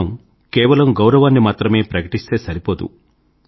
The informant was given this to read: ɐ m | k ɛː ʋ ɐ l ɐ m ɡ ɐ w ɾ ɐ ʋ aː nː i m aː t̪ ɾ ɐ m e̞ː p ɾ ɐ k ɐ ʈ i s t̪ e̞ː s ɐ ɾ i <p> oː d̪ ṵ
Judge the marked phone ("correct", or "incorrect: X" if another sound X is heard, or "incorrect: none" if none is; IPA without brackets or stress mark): correct